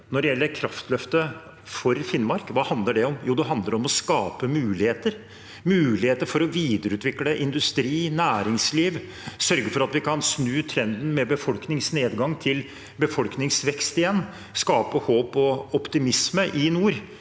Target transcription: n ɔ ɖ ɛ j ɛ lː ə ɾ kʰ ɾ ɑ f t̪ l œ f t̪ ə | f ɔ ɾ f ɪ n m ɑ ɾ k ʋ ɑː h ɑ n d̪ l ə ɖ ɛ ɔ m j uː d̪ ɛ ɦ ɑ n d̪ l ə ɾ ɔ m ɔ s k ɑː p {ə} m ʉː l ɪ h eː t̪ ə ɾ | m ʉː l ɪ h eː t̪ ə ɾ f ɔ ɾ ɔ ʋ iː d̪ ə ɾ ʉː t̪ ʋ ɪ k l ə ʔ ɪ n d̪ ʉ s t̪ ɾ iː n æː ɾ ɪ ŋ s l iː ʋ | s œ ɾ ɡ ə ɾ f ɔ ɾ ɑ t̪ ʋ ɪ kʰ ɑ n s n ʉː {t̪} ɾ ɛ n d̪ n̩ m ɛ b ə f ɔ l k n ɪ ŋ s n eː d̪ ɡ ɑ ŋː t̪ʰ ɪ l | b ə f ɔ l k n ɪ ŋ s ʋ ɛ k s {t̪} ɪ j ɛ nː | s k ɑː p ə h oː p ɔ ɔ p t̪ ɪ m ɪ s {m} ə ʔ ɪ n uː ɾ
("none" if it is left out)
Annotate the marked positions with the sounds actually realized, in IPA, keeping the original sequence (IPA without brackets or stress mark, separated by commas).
ə, t̪ʰ, t̪, m